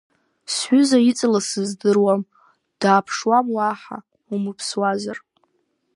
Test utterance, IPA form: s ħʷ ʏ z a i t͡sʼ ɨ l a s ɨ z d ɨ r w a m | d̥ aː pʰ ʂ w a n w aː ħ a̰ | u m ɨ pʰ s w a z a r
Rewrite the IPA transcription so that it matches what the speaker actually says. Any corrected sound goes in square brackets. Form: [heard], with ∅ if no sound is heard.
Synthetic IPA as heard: s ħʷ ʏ z a i t͡sʼ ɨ l a s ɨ z d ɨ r w a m | d̥ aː pʰ ʂ w a [m] w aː ħ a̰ | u m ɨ pʰ s w a z a r

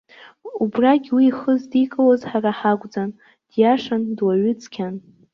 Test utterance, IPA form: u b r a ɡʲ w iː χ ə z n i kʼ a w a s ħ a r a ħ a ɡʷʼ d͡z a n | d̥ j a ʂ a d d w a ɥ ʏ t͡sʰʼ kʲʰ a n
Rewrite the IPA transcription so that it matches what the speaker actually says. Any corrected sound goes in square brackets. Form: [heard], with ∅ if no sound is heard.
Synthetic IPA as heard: u b r a ɡʲ w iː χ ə z [d] i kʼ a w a [z] ħ a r a ħ a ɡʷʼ d͡z a n | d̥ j a ʂ a [n] d w a ɥ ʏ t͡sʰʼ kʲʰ a n

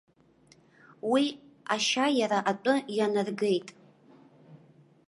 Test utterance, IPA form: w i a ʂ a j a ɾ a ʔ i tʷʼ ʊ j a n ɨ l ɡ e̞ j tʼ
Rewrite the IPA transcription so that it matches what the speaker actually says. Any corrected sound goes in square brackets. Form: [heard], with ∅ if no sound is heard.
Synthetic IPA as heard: w i a [ʃ] a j a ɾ a ʔ [a] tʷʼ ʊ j a n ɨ [r] ɡ e̞ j tʼ

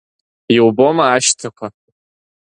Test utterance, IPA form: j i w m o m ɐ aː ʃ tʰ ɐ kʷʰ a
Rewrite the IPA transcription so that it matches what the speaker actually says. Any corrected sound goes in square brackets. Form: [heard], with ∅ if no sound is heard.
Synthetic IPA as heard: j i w [b] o m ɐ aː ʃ tʰ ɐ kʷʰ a

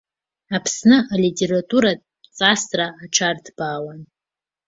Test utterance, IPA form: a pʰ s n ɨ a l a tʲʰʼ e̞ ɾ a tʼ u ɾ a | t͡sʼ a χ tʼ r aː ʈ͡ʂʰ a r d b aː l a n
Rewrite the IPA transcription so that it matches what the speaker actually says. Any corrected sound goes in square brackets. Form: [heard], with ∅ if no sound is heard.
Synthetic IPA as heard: a pʰ s n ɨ a l [i] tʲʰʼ e̞ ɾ a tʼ u ɾ a | t͡sʼ a [s] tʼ r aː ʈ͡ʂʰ a r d b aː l a n

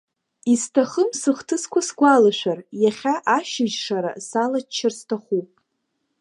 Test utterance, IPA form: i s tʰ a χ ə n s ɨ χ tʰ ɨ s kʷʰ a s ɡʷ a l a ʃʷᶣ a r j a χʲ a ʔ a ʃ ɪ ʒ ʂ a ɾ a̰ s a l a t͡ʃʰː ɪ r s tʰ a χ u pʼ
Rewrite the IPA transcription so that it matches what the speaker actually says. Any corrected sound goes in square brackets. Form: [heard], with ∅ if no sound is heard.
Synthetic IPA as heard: i s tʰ a χ ə [m] s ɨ χ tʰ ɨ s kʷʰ a s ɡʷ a l a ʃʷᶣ a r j a χʲ a ʔ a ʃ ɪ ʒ ʂ a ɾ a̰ s a l a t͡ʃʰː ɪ r s tʰ a χ u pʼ

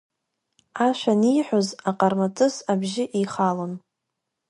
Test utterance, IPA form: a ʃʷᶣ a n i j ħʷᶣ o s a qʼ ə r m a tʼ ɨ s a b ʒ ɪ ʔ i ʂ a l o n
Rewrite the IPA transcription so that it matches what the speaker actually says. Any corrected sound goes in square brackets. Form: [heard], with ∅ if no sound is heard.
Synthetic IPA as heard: a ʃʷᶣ a n i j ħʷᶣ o [z] a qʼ [a] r m a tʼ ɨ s a b ʒ ɪ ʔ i [χ] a l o n

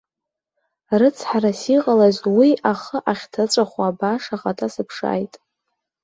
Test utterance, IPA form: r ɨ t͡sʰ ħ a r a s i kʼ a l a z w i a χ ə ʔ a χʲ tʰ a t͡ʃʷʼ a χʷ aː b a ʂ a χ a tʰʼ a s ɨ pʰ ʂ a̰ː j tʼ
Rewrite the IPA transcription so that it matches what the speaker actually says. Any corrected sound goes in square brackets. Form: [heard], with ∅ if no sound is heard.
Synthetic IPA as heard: r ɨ t͡sʰ ħ a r a s i [qʼ] a l a z w i a χ ə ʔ a χʲ tʰ a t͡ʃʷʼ a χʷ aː b a ʂ a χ a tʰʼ a s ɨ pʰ ʂ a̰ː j tʼ

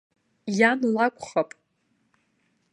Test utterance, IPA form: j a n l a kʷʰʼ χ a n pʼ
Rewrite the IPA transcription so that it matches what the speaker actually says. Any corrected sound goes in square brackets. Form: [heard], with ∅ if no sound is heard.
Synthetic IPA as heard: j a n l a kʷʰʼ χ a [∅] pʼ

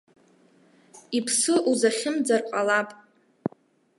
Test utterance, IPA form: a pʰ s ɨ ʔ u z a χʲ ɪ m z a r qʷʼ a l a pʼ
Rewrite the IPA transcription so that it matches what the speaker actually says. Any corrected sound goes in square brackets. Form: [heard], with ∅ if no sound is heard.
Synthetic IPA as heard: [i] pʰ s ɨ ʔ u z a χʲ ɪ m [d͡z] a r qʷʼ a l a pʼ

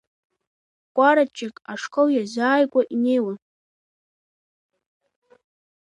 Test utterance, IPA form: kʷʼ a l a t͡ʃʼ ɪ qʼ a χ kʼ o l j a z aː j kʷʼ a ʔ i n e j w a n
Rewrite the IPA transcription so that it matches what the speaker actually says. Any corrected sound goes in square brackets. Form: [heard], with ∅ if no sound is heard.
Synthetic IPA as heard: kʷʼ a [ɾ] a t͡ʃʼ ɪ [kʼ] a [ʂ] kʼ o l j a z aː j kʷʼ a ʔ i n e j w a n

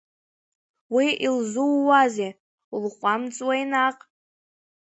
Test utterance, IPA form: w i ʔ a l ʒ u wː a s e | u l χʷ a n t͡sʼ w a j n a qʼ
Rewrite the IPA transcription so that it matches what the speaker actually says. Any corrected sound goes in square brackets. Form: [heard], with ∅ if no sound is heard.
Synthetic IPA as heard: w i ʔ [i] l [z] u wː a [z] e | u l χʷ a [m] t͡sʼ w a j n a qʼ

